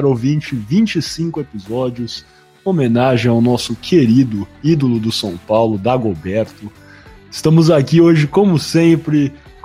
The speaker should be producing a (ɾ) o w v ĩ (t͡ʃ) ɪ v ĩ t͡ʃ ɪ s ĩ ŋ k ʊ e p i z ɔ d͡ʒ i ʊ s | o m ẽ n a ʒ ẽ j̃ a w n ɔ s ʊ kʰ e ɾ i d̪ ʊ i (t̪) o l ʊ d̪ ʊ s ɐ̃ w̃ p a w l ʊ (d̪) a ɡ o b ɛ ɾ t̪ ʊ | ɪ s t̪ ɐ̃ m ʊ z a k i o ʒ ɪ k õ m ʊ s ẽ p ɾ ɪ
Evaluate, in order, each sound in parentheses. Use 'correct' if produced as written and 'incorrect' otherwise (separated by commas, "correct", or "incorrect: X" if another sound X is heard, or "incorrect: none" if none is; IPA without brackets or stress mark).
correct, correct, incorrect: d̪, correct